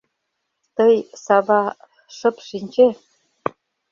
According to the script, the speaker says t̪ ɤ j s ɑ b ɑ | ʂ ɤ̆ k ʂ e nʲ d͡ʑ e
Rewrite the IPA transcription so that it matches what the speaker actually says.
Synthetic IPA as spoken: t̪ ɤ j s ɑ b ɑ | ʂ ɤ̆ p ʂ i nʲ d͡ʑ e